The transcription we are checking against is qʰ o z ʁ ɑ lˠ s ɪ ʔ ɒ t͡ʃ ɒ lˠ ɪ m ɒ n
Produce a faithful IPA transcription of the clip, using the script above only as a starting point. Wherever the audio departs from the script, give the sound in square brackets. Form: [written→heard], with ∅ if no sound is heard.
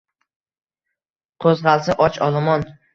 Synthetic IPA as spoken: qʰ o z ʁ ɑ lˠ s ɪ ʔ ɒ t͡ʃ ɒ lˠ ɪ m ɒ n